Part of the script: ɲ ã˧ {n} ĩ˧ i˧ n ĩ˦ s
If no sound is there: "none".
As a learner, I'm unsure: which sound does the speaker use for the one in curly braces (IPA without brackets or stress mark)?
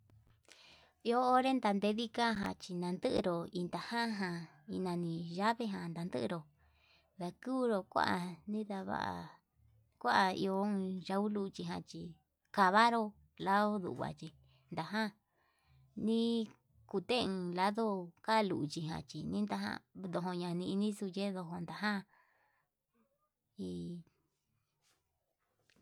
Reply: n